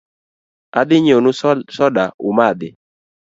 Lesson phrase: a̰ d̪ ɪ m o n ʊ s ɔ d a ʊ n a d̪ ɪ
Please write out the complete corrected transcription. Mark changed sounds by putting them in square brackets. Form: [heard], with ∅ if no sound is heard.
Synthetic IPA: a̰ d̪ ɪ [ɲ] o n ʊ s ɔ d a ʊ [m] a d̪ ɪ